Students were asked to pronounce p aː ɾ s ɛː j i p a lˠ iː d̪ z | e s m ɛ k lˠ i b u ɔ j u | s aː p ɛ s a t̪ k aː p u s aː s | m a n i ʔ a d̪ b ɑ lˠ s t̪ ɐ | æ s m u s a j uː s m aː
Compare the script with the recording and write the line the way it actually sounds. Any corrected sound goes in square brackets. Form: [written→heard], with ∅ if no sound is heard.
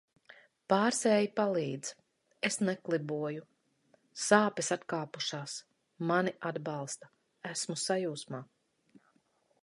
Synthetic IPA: p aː ɾ s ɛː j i p a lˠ iː d̪ z | e s [m→n] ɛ k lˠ i b u ɔ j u | s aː p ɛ s a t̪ k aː p u [s→ʃ] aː s | m a n i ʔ a d̪ b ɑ lˠ s t̪ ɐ | æ s m u s a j uː s m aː